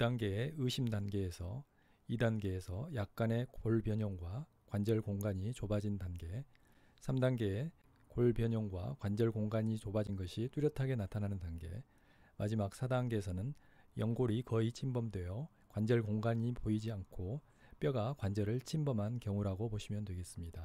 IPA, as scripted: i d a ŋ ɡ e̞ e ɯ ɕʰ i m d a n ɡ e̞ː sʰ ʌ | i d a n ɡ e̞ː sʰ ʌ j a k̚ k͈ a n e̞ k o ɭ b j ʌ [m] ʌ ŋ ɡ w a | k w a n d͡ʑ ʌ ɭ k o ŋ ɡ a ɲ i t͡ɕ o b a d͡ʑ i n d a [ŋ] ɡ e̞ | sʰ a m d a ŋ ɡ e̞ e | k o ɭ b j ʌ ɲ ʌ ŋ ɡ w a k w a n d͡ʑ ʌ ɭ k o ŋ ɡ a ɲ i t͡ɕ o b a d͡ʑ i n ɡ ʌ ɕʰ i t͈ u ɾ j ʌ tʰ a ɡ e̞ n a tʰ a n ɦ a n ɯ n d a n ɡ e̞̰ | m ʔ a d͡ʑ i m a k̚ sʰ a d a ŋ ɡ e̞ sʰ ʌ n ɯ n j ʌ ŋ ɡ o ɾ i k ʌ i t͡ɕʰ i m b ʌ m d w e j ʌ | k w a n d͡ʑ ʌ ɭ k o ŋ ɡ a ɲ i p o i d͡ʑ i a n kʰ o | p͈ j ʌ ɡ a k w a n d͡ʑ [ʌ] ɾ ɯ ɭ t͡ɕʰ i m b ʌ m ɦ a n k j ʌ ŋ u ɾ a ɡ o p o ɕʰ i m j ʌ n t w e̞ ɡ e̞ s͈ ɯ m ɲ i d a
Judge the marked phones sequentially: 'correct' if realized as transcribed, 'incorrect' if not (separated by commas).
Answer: incorrect, incorrect, correct